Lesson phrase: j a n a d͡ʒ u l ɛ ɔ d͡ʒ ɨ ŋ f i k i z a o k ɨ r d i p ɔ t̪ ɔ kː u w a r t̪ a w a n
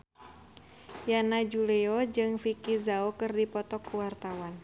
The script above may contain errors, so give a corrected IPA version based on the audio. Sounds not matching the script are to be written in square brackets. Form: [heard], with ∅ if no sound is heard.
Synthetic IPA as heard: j a n a d͡ʒ u l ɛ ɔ d͡ʒ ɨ ŋ f i k i z a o k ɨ r d i p ɔ t̪ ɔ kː u w a r t̪ a w a n